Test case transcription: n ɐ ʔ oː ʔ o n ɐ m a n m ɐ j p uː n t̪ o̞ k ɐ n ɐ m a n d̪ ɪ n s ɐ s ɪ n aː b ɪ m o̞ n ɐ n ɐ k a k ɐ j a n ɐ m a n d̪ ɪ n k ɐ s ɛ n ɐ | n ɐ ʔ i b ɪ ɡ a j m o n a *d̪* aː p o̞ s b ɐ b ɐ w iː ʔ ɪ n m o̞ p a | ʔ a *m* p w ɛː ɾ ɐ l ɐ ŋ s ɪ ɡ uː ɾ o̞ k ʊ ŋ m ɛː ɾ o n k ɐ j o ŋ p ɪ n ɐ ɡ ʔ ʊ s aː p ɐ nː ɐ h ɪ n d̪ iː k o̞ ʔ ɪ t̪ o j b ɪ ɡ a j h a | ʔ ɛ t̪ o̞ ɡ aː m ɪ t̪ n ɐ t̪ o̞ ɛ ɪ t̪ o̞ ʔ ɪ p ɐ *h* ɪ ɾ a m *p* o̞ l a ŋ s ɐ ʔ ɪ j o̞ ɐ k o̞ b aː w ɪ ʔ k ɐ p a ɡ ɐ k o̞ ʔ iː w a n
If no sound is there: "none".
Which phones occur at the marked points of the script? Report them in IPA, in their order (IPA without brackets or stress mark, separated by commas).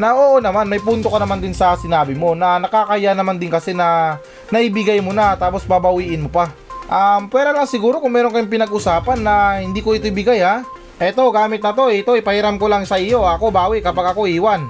t̪, m, h, k